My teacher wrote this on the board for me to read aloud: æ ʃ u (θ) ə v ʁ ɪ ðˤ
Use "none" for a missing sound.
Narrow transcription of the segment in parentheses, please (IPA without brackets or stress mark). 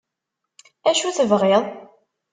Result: θ